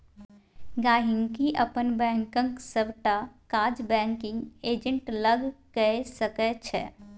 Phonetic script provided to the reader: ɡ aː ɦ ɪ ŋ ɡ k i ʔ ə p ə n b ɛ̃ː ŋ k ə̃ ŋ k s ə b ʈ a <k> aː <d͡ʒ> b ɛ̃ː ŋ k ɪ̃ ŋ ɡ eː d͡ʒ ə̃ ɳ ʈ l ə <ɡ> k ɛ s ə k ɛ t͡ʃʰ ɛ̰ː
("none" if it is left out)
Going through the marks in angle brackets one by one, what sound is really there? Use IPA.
k, d͡ʒ, ɡ

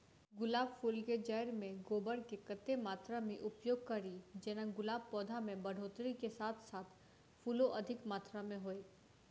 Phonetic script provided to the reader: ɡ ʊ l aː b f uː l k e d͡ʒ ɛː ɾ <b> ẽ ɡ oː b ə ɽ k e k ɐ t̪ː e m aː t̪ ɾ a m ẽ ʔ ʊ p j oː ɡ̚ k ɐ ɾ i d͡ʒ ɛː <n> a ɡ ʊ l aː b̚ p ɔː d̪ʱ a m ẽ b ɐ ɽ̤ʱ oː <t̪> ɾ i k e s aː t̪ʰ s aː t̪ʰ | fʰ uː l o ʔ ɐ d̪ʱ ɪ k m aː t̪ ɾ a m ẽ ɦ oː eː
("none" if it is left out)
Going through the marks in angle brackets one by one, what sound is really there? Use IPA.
m, n, t̪

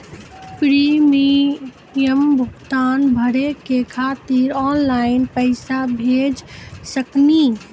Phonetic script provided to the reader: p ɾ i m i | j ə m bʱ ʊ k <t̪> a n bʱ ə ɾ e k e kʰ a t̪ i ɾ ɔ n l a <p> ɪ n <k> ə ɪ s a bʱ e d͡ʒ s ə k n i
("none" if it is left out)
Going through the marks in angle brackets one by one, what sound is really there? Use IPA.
t̪, none, p

